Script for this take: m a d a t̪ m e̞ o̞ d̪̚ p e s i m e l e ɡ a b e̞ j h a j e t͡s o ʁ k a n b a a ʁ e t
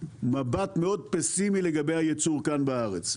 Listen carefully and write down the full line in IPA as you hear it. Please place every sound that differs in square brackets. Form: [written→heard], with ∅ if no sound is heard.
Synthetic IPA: m a [d→b] a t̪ m e̞ o̞ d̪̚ p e s i m [e→i] l e ɡ a b e̞ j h a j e t͡s [o→u] ʁ k a n b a a ʁ e [t→t͡s]